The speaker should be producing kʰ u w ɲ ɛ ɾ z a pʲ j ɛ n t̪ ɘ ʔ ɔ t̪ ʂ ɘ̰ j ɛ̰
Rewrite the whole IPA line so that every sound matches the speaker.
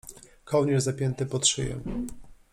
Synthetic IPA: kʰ ɔ w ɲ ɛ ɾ z a pʲ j ɛ n t̪ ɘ p ɔ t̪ ʂ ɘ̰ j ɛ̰

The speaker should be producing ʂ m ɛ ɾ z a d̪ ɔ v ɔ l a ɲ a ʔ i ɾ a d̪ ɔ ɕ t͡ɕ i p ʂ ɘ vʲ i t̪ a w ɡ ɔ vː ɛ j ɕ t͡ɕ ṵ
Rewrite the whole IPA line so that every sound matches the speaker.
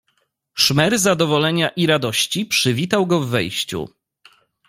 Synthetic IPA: ʂ m ɛ ɾ z a d̪ ɔ v ɔ l ɛ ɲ a ʔ i ɾ a d̪ ɔ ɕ t͡ɕ i p ʂ ɘ vʲ i t̪ a w ɡ ɔ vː ɛ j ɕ t͡ɕ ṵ

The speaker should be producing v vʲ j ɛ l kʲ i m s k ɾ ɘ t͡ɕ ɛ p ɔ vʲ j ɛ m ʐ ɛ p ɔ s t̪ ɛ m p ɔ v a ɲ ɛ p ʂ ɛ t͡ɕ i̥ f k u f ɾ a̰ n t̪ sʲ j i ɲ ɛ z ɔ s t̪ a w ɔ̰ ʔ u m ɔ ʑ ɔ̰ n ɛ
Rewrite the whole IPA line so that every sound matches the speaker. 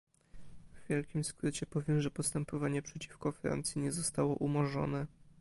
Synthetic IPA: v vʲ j ɛ l kʲ i m s k ɾ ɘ t͡ɕ ɛ p ɔ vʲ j ɛ m ʐ ɛ p ɔ s t̪ ɛ m p ɔ v a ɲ ɛ p ʂ ɛ t͡ɕ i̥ f k ɔ f ɾ a̰ n t̪ sʲ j i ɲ ɛ z ɔ s t̪ a w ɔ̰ ʔ u m ɔ ʐ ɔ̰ n ɛ

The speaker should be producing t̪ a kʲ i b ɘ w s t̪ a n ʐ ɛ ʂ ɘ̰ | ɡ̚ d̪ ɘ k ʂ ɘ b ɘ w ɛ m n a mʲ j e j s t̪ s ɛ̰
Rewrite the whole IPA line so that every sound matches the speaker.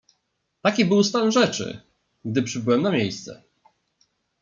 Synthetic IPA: t̪ a kʲ i b ɘ w s t̪ a n ʐ ɛ t͡ʂ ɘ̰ | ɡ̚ d̪ ɘ p ʂ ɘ b ɘ w ɛ m n a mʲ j e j s t̪ s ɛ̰

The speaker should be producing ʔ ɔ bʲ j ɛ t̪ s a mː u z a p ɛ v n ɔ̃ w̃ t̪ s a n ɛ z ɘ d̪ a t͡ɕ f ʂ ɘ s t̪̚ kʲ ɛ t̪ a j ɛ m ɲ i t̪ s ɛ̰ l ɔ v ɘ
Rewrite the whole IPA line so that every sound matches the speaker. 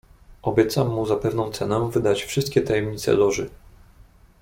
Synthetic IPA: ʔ ɔ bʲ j ɛ t̪ s a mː u z a p ɛ v n ɔ̃ w̃ t̪ s ɛ n ɛ v ɘ d̪ a t͡ɕ f ʂ ɘ s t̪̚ kʲ ɛ t̪ a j ɛ m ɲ i t̪ s ɛ̰ l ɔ ʐ ɘ

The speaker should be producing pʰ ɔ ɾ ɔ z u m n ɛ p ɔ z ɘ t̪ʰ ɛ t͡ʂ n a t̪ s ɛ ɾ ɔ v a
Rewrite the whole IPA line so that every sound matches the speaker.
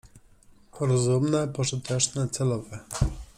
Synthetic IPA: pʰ ɔ ɾ ɔ z u m n ɛ p ɔ ʐ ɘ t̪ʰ ɛ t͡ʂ n ɛ t̪ s ɛ l ɔ v ɛ

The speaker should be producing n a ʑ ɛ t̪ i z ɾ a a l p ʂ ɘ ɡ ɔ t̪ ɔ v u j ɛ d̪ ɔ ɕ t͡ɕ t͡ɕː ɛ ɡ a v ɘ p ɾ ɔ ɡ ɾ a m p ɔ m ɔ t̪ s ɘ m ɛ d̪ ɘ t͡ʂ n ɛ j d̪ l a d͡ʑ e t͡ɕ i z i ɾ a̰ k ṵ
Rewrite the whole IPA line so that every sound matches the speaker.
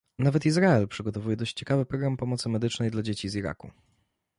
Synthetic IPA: n a v ɛ t̪ i z ɾ a ɛ l p ʂ ɘ ɡ ɔ t̪ ɔ v u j ɛ d̪ ɔ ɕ t͡ɕ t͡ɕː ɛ k a v ɘ p ɾ ɔ ɡ ɾ a m p ɔ m ɔ t̪ s ɘ m ɛ d̪ ɘ t͡ʂ n ɛ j d̪ l a d͡ʑ e t͡ɕ i z i ɾ a̰ k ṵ

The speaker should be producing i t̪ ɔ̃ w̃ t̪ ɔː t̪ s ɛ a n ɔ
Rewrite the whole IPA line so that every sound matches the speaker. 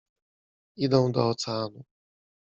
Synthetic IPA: i d̪ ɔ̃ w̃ d̪ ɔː t̪ s ɛ a n u

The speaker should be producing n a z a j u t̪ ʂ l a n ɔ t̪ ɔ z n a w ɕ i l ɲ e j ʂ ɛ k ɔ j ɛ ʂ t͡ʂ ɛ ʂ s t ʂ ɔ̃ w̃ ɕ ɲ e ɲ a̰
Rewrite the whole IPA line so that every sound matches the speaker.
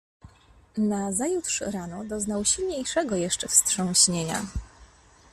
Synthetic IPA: n a z a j u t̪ ʂ ɾ a n ɔ d̪ ɔ z n a w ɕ i l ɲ e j ʂ ɛ ɡ ɔ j ɛ ʂ t͡ʂ ɛ f s t ʂ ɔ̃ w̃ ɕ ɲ e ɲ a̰

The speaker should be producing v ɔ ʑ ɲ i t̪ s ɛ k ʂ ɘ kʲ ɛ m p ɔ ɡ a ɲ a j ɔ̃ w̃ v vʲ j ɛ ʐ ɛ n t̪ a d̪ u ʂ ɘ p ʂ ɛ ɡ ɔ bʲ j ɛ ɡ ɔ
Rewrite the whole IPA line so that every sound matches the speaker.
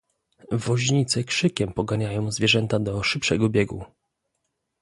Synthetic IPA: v ɔ ʑ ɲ i t̪ s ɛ k ʂ ɘ kʲ ɛ m p ɔ ɡ a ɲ a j ɔ̃ w̃ z vʲ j ɛ ʐ ɛ n t̪ a d̪ ɔ ʂ ɘ p ʂ ɛ ɡ ɔ bʲ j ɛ ɡ u

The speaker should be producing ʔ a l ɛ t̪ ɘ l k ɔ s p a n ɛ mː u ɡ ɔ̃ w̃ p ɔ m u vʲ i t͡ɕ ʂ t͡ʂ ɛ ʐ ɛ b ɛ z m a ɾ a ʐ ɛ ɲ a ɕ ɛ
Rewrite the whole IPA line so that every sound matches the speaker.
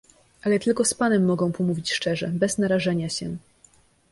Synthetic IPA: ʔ a l ɛ t̪ ɘ l k ɔ s p a n ɛ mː ɔ ɡ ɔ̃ w̃ p ɔ m u vʲ i t͡ɕ ʂ t͡ʂ ɛ ʐ ɛ b ɛ z n a ɾ a ʐ ɛ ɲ a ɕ ɛ

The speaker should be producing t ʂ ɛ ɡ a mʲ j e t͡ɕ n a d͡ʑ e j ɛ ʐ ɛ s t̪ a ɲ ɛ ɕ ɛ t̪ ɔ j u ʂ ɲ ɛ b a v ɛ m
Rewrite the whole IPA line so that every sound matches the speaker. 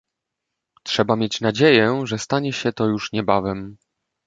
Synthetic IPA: t ʂ ɛ b a mʲ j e t͡ɕ n a d͡ʑ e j ɛ ʐ ɛ s t̪ a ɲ ɛ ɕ ɛ t̪ ɔ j u ʂ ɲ ɛ b a v ɛ m

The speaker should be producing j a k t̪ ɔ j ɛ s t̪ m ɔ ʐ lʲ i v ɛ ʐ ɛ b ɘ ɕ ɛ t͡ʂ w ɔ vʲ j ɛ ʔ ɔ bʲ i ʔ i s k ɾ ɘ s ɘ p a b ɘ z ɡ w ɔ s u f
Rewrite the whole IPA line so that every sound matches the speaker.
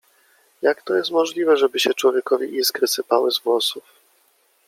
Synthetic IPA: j a k t̪ ɔ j ɛ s t̪ m ɔ ʐ lʲ i v ɛ ʐ ɛ b ɘ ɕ ɛ t͡ʂ w ɔ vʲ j ɛ k ɔ vʲ i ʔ i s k ɾ ɘ s ɘ p a w ɘ z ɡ w ɔ s u f

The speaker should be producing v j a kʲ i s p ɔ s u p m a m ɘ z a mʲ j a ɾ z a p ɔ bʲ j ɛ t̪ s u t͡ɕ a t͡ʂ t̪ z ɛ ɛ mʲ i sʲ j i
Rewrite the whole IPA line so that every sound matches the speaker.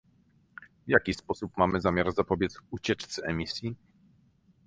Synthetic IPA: v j a kʲ i s p ɔ s u p m a m ɘ z a mʲ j a ɾ z a p ɔ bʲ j ɛ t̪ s u t͡ɕ ɛ t͡ʂ t̪ s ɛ ɛ mʲ i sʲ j i

